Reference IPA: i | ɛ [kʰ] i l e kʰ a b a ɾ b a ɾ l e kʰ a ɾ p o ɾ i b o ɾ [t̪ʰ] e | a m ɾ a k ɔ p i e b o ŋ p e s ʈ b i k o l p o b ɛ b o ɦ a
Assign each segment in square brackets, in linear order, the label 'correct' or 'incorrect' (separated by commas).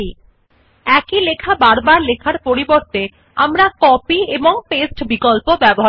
incorrect, incorrect